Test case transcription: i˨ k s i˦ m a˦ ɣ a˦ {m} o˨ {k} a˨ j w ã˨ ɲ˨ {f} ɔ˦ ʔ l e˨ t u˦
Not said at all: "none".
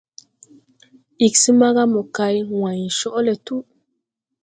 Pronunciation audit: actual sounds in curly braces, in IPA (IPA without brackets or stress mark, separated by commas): m, k, ʃ